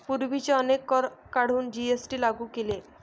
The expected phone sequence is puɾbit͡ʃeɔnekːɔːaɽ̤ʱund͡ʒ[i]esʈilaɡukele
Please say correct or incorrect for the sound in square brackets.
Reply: correct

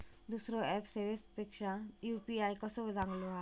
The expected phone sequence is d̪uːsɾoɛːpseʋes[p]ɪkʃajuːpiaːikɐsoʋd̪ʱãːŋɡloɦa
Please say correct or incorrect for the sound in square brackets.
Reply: correct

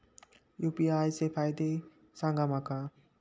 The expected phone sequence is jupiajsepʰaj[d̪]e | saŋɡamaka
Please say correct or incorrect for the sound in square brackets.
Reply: correct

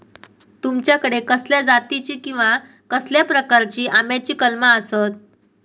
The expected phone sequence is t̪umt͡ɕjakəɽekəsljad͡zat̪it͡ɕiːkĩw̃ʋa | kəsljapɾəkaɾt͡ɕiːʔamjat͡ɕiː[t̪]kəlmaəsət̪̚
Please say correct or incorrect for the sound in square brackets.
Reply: incorrect: none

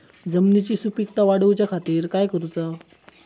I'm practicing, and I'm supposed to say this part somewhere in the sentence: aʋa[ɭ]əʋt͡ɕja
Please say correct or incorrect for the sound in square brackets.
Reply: incorrect: ɽ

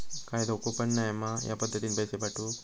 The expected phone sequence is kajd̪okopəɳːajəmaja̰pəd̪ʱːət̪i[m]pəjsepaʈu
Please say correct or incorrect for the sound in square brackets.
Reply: incorrect: n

